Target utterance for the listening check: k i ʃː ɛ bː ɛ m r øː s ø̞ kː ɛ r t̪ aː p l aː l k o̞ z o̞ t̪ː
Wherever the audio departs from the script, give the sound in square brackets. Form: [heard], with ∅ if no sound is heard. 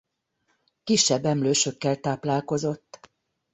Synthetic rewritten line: k i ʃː ɛ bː ɛ m [l] øː [ʃ] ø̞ kː ɛ [l] t̪ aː p l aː l k o̞ z o̞ t̪ː